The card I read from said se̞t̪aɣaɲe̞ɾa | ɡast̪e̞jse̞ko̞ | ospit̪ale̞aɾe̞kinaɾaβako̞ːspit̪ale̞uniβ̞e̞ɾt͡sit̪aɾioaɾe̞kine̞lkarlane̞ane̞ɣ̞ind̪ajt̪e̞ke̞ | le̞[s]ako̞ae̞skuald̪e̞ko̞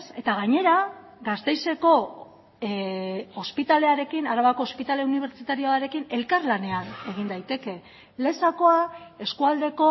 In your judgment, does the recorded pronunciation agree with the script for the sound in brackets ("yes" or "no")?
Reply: yes